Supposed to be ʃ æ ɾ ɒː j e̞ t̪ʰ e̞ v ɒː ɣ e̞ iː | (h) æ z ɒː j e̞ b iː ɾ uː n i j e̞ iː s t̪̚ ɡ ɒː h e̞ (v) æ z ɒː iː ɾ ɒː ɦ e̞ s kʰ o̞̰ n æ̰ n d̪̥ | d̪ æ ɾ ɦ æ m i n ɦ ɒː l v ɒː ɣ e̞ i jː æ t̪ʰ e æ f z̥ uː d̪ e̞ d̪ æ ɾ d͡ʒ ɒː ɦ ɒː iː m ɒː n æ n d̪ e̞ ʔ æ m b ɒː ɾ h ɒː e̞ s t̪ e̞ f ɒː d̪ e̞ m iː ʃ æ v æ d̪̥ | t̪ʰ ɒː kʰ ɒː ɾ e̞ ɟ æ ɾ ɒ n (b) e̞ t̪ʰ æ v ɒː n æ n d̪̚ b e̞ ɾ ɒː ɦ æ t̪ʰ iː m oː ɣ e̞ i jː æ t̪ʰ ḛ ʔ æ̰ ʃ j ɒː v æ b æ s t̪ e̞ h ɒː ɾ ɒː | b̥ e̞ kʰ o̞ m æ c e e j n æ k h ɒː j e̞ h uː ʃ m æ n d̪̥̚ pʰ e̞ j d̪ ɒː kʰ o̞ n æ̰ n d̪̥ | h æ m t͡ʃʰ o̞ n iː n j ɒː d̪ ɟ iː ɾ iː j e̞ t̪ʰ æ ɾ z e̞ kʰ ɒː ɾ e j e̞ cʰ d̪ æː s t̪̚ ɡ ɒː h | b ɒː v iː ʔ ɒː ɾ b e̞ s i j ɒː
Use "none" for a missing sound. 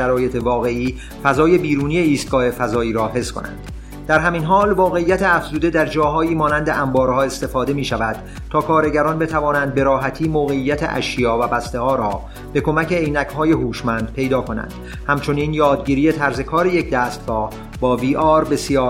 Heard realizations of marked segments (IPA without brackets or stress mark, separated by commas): f, f, b